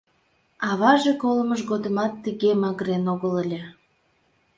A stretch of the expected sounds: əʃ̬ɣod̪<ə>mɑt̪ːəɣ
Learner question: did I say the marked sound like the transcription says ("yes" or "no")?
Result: yes